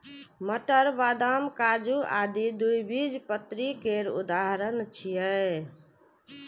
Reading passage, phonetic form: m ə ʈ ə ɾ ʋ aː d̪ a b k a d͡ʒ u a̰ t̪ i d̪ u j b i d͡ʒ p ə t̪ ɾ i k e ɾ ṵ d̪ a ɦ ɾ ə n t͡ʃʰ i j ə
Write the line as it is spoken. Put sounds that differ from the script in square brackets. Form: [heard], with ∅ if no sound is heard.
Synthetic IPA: m ə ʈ ə ɾ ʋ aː d̪ a [m] k a d͡ʒ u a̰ [d̪] i d̪ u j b i d͡ʒ p ə t̪ ɾ i k e ɾ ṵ d̪ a ɦ ɾ ə n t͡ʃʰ i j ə